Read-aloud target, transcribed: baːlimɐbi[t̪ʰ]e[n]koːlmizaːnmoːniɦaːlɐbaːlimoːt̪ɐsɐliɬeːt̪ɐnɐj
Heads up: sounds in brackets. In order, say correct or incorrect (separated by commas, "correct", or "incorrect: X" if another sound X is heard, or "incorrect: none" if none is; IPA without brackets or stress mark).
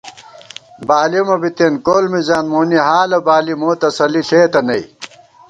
incorrect: t̪, correct